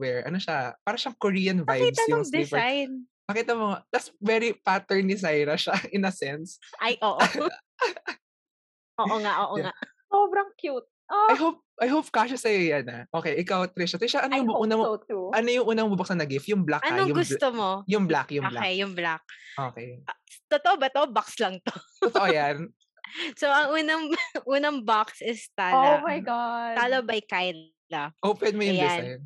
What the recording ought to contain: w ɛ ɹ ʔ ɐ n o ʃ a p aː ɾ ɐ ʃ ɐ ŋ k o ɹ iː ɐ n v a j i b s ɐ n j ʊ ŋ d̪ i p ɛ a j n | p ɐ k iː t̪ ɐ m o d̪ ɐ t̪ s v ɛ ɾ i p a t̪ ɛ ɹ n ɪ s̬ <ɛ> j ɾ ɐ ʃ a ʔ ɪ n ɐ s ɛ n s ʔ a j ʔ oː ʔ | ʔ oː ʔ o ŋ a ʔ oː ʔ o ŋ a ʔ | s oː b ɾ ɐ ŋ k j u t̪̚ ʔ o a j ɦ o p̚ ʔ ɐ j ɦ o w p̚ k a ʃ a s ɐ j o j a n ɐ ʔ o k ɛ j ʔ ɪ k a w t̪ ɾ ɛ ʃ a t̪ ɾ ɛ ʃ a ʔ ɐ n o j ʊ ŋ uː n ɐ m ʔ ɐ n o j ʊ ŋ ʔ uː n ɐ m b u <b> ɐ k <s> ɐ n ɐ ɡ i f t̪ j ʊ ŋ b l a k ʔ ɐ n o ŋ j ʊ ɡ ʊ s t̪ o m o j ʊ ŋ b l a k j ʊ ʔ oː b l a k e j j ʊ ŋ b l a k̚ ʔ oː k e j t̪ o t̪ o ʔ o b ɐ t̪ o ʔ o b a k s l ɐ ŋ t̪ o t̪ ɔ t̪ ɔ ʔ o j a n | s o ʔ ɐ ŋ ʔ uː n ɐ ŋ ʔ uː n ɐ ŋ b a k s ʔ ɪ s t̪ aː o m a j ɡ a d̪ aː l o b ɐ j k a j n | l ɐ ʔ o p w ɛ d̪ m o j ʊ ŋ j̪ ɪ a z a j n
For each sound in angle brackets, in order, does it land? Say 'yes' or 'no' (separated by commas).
no, yes, yes